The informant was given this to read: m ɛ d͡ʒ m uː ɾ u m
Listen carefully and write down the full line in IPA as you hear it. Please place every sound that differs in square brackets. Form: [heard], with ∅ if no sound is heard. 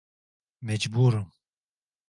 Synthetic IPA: m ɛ d͡ʒ [b] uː ɾ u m